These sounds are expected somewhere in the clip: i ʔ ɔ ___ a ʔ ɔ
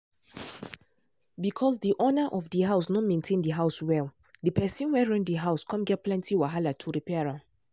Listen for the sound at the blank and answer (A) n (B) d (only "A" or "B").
A